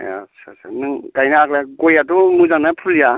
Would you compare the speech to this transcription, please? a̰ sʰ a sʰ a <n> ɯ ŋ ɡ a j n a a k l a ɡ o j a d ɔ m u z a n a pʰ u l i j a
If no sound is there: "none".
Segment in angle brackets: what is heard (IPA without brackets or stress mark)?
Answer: n